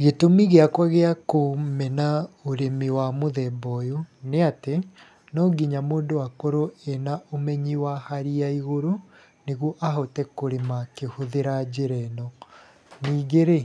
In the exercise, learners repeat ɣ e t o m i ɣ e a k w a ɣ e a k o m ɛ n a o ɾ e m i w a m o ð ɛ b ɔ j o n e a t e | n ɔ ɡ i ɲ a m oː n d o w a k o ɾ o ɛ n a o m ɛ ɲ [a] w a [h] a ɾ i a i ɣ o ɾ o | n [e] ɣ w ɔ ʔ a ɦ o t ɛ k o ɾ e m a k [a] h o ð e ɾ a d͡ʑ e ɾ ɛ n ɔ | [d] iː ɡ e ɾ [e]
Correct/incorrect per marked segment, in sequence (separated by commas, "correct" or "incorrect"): incorrect, correct, correct, incorrect, incorrect, correct